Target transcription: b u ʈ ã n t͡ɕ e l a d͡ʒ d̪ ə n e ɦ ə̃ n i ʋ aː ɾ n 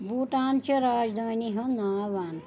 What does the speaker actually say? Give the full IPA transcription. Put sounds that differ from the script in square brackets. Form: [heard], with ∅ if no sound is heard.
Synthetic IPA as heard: b u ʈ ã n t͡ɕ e [ɾ] a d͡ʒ d̪ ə n [i] ɦ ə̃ n [a] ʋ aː [∅] n